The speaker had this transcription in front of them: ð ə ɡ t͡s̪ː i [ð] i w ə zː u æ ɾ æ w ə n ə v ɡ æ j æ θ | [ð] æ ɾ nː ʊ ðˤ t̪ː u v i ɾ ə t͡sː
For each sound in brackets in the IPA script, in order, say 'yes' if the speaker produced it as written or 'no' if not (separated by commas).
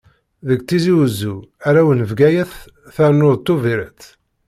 no, no